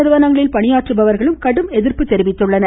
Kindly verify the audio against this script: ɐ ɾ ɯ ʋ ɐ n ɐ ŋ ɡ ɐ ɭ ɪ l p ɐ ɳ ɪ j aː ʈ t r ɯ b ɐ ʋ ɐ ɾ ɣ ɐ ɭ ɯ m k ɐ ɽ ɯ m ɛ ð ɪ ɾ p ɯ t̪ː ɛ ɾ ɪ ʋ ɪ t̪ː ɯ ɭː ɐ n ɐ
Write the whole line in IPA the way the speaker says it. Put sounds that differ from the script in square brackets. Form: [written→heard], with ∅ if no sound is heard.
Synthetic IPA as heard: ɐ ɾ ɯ ʋ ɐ n ɐ ŋ ɡ ɐ ɭ ɪ l p ɐ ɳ ɪ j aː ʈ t r ɯ b ɐ ʋ ɐ ɾ ɣ ɐ ɭ ɯ m k ɐ ɽ ɯ m ɛ ð ɪ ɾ p ɯ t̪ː ɛ ɾ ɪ ʋ ɪ t̪ː ɯ ɭː ɐ n ɐ